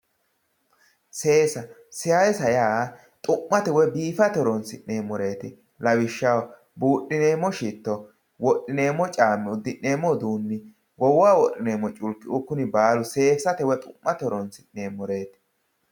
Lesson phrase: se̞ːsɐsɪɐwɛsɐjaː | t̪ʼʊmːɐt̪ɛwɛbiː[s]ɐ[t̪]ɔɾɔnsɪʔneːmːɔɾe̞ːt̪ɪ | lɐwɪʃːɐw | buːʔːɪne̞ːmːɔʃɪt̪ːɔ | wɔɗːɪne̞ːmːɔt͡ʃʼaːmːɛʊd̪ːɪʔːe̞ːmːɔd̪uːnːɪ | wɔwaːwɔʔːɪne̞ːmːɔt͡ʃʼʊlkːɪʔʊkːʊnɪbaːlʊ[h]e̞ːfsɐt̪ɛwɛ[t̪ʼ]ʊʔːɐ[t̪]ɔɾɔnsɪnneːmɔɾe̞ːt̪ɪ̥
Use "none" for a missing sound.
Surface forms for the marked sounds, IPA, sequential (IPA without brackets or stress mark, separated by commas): f, t̪, s, t̪ʼ, t̪